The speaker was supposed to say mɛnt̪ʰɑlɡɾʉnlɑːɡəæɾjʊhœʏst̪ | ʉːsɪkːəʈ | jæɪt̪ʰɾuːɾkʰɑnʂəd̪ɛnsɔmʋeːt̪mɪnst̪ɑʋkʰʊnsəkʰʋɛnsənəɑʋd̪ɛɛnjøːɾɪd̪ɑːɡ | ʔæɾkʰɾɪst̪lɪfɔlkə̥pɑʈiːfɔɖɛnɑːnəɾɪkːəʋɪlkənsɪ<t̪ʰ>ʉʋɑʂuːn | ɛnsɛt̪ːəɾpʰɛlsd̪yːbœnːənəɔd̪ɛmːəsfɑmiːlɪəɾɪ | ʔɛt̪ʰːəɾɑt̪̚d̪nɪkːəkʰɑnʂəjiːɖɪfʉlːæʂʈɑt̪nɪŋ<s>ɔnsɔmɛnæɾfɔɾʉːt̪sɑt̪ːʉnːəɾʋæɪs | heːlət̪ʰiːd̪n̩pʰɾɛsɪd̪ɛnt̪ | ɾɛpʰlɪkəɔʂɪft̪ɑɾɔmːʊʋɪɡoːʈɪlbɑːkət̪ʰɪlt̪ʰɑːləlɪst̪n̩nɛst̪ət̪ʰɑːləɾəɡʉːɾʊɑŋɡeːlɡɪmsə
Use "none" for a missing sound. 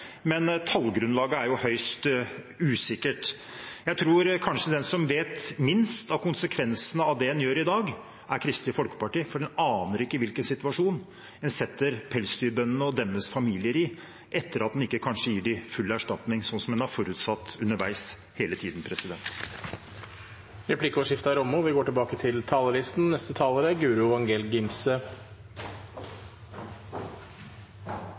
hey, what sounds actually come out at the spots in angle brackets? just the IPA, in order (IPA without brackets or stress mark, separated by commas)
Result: t̪, s